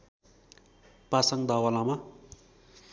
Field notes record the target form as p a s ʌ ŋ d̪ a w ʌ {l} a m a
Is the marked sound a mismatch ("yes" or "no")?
no